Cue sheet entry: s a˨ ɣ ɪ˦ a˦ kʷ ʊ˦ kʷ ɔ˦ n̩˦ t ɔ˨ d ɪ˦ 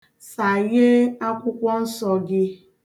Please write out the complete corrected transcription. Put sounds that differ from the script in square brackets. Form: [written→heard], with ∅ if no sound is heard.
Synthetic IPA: s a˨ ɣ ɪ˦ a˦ kʷ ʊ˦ kʷ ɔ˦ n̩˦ [t→s] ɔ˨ [d→ɡ] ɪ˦